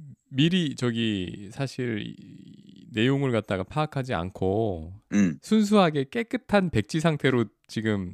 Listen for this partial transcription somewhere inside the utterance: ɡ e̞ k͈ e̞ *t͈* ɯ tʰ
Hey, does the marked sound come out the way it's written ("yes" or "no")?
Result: no